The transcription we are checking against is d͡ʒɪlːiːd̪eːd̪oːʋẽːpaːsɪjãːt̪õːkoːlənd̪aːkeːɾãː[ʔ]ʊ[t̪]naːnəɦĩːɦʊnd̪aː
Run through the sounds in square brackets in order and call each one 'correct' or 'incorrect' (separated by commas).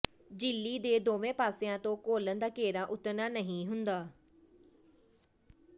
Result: correct, correct